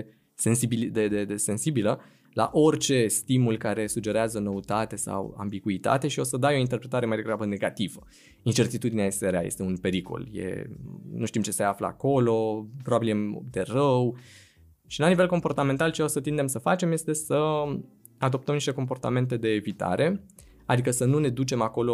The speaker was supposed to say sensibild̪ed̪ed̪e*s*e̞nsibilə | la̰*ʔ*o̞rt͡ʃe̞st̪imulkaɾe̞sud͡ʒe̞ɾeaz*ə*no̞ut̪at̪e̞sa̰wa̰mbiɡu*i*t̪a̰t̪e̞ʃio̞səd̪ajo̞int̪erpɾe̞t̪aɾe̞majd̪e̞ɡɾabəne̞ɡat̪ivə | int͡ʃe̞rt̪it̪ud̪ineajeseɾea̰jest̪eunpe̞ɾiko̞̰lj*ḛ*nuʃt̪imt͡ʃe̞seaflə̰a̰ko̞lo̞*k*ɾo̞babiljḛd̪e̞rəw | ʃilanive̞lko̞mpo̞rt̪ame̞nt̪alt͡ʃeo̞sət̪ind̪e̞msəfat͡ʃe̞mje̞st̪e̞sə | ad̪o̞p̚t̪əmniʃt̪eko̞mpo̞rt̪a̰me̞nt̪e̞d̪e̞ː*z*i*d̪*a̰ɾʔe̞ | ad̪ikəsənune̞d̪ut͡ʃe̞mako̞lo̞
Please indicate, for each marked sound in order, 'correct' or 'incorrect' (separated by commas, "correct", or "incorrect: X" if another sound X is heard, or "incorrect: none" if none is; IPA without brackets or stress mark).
correct, correct, correct, correct, correct, incorrect: p, incorrect: v, incorrect: t̪